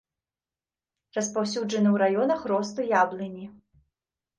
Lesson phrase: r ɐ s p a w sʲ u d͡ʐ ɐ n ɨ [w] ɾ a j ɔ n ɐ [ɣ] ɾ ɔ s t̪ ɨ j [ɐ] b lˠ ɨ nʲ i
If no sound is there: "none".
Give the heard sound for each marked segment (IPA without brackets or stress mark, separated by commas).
w, x, a